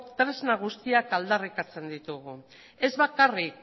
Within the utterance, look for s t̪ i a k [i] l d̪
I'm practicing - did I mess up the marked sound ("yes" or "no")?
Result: yes